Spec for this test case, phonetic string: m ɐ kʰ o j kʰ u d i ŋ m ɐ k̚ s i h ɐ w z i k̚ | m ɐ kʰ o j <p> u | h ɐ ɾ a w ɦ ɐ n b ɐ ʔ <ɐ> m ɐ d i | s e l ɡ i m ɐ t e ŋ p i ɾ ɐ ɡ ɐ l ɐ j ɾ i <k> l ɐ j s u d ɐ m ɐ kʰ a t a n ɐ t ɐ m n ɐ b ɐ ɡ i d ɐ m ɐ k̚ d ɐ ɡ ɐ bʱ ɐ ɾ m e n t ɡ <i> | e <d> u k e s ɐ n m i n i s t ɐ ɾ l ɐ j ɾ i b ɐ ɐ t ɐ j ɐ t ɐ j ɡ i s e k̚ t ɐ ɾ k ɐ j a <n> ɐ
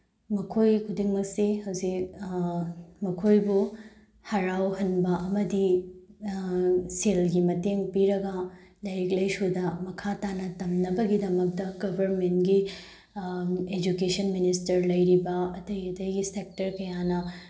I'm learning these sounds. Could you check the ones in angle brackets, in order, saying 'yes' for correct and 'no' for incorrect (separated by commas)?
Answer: no, yes, yes, yes, no, yes